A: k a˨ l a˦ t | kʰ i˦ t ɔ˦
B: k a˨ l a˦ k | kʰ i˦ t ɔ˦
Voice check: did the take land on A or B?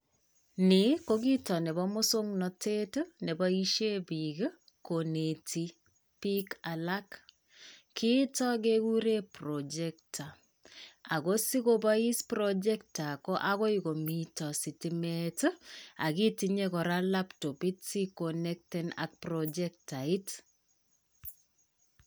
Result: B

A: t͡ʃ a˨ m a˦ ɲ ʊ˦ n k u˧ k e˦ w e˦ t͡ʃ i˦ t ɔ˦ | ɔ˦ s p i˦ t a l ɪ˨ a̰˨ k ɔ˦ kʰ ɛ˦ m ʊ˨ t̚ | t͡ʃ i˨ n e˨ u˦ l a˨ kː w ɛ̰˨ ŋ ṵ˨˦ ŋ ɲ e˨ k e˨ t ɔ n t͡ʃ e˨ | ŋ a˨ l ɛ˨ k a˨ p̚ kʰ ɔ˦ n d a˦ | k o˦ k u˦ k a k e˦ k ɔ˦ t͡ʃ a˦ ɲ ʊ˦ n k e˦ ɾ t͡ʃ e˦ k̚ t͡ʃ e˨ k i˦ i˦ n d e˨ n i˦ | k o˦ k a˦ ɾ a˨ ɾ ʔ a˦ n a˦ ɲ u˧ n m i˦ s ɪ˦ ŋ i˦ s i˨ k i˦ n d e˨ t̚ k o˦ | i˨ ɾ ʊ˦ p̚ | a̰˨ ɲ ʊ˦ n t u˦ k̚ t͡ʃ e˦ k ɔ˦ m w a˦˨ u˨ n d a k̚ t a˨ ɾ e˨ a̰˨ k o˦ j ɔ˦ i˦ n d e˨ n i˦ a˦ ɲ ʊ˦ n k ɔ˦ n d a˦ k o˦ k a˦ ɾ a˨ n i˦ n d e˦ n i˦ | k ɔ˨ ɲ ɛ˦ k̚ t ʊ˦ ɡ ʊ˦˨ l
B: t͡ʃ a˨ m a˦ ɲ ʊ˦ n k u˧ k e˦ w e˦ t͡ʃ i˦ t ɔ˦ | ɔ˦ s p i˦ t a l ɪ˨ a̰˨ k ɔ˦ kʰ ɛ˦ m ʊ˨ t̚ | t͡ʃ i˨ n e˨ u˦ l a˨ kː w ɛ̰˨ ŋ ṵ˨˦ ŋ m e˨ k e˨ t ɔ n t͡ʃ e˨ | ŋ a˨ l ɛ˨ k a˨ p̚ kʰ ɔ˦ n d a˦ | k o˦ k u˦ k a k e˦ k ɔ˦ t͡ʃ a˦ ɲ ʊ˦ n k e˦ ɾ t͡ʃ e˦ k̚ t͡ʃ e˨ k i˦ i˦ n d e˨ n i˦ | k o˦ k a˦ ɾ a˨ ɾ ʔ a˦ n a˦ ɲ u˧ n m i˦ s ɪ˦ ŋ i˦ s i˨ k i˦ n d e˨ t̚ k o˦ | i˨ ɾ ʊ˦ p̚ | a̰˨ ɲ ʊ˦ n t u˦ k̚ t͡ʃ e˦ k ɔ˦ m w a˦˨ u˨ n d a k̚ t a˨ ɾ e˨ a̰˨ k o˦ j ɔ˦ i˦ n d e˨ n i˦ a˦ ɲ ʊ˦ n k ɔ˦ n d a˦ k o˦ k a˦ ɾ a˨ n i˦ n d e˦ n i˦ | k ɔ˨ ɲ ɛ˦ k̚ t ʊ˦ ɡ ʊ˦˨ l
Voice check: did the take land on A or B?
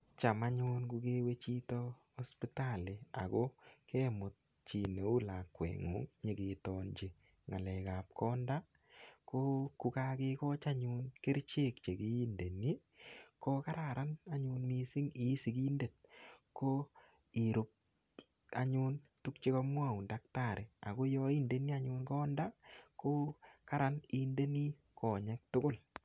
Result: A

